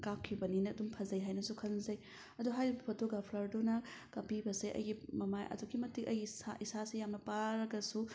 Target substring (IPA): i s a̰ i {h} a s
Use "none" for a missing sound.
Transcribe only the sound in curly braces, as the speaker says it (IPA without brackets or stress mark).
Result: s